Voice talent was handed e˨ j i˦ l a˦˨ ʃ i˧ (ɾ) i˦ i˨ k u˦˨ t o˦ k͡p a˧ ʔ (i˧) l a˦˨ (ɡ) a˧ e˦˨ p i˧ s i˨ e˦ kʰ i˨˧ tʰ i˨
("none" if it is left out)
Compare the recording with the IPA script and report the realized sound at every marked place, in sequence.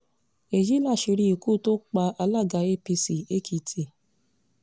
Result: ɾ, a˧, ɡ

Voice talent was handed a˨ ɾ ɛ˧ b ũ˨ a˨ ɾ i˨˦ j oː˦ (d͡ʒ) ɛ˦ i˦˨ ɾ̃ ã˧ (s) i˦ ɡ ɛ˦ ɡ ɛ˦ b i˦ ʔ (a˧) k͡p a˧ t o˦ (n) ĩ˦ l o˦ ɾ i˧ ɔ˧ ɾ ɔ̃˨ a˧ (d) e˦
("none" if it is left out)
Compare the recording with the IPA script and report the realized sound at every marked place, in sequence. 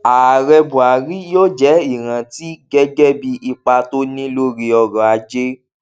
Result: d͡ʒ, t, i˧, n, d͡ʒ

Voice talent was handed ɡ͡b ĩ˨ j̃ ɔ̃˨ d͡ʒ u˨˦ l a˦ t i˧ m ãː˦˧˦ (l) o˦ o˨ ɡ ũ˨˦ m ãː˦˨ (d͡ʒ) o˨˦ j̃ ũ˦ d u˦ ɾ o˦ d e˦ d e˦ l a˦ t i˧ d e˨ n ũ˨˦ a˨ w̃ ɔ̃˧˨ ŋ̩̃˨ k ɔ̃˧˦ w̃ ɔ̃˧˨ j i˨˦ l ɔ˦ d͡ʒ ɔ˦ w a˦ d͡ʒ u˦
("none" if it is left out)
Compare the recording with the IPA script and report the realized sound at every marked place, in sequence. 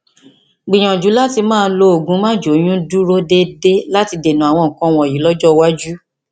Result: l, d͡ʒ

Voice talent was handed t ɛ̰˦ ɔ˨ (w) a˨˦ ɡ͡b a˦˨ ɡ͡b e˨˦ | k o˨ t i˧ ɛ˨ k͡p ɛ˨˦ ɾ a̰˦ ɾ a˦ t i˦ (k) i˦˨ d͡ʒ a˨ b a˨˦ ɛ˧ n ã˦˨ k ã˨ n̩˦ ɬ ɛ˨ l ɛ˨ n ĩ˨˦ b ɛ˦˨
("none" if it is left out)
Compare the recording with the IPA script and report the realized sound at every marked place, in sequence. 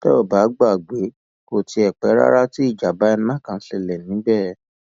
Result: b, none

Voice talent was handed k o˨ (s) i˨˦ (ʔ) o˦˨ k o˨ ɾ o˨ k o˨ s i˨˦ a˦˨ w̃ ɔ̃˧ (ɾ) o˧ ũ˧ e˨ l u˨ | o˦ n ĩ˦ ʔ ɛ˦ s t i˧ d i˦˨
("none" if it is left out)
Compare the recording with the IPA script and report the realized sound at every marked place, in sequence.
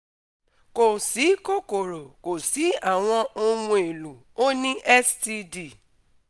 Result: s, k, none

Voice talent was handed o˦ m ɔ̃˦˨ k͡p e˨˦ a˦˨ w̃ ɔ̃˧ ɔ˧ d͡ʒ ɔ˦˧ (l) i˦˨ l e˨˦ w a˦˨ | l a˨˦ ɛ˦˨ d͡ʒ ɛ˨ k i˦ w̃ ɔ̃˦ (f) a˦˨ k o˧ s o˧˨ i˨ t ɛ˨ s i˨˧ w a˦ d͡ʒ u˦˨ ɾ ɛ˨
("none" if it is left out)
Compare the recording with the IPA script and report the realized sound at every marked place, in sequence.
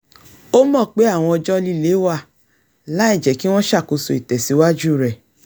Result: l, ʃ

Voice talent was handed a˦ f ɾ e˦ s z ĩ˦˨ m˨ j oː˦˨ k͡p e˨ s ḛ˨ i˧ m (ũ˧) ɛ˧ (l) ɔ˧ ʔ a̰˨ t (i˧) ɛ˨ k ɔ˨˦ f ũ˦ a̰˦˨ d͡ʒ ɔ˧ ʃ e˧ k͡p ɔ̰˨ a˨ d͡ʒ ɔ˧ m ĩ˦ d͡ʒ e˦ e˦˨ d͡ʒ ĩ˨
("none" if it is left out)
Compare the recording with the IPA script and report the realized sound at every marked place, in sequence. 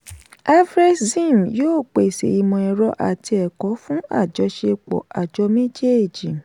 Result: ɔ̃˧, ɾ, i˧

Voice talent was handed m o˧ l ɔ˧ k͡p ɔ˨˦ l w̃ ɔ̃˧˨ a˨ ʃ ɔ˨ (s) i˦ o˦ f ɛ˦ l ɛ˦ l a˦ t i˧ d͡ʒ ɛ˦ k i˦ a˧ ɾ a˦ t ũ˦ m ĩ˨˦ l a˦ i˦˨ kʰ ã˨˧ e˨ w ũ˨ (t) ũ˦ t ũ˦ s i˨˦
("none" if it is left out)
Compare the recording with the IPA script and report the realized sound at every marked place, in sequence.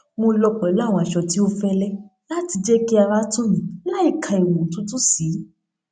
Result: t, t

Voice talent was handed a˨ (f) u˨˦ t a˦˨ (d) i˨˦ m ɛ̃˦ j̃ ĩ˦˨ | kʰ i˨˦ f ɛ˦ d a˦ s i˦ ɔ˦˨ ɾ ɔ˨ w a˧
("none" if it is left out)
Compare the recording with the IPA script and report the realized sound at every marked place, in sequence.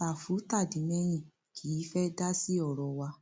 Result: f, d

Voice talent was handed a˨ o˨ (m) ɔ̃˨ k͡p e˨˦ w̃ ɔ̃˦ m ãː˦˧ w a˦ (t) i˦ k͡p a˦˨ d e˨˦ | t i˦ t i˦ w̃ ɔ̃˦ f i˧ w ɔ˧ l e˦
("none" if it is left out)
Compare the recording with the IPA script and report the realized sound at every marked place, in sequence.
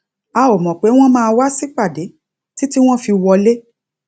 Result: m, s

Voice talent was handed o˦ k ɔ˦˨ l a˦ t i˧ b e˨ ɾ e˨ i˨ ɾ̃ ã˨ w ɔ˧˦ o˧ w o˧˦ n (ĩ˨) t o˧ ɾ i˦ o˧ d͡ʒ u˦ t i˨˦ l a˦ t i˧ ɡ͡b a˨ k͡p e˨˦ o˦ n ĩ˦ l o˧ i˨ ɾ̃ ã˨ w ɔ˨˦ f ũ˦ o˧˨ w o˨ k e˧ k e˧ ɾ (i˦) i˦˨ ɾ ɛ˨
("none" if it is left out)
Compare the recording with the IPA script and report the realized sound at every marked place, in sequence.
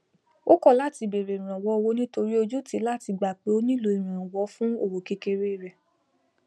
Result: ĩ˦, e˦

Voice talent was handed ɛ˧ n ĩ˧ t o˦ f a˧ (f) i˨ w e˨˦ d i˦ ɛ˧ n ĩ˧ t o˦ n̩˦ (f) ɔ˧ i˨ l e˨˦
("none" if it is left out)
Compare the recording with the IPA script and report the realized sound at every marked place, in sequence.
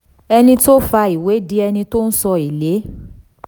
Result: none, s

